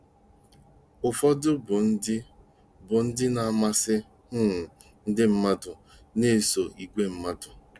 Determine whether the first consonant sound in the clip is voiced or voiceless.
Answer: voiceless